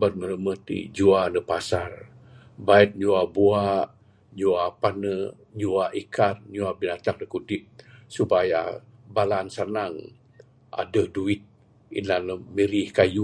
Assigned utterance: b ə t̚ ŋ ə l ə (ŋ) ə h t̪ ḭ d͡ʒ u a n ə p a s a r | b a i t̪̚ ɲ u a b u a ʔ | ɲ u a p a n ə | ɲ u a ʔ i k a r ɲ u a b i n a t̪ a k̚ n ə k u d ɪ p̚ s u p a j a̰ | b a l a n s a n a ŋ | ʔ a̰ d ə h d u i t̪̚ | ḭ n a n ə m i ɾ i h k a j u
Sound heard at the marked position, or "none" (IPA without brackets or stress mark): m